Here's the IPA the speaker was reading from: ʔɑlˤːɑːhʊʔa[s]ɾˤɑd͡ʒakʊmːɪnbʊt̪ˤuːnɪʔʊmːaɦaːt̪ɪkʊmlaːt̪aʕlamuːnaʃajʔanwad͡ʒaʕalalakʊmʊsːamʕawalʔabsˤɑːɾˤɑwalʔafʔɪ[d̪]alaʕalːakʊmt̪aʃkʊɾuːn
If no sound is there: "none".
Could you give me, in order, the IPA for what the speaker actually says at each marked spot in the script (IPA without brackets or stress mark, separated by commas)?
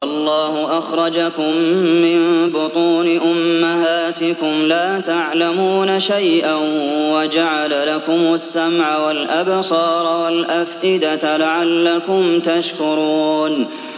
x, d̪